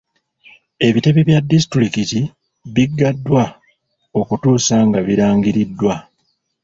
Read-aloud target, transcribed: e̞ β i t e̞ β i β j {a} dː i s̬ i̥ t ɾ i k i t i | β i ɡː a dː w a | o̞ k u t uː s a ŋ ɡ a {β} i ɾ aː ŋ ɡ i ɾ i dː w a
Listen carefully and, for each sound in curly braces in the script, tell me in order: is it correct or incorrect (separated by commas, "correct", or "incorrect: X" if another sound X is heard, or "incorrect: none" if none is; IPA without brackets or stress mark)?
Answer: correct, correct